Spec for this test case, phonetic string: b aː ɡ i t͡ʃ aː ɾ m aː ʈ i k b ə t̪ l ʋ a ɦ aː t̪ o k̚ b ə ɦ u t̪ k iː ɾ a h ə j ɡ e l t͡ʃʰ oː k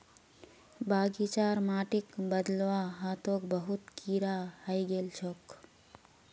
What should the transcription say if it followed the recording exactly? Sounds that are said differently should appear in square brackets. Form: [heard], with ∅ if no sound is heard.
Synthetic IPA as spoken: b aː ɡ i t͡ʃ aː ɾ m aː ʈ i k b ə [d̪] l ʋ a ɦ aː t̪ o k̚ b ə ɦ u t̪ k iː ɾ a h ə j ɡ e l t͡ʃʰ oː k